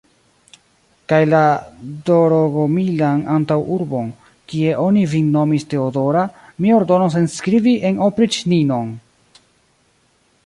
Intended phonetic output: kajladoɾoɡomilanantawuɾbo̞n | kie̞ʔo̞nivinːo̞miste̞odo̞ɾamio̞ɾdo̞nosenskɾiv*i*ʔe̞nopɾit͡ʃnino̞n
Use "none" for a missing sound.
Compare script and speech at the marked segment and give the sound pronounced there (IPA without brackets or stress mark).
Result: i